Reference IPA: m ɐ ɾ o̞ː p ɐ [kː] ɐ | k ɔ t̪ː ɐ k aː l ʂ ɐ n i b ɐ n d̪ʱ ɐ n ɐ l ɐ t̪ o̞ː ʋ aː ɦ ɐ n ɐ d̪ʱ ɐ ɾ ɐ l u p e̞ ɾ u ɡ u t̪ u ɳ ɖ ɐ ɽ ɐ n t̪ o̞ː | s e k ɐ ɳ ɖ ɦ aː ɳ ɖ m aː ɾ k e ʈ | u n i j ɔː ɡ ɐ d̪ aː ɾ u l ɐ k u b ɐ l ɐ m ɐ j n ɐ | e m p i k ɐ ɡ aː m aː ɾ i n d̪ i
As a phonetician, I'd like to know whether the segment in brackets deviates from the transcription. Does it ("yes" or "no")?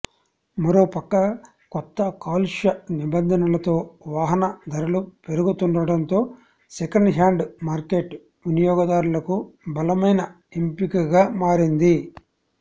no